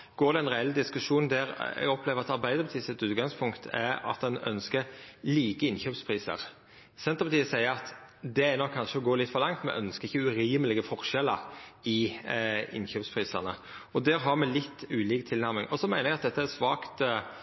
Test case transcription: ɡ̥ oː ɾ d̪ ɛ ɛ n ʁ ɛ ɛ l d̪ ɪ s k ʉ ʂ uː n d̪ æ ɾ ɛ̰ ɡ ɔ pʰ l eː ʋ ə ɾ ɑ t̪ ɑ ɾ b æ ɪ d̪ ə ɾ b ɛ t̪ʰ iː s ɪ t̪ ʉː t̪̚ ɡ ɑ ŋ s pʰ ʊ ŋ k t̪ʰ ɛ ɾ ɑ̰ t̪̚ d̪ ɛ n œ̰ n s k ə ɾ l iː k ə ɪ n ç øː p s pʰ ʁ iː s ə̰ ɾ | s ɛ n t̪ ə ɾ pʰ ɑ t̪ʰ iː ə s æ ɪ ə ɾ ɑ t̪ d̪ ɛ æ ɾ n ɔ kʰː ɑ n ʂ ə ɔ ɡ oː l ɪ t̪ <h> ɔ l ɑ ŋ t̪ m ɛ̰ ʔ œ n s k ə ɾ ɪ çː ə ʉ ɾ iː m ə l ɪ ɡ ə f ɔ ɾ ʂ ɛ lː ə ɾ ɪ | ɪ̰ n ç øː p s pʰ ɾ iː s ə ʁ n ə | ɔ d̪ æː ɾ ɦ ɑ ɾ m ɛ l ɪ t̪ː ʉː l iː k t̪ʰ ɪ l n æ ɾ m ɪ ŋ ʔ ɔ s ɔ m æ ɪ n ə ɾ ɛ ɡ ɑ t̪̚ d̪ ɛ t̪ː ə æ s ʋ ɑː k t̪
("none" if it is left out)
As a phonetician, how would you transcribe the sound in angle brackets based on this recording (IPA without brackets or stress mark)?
f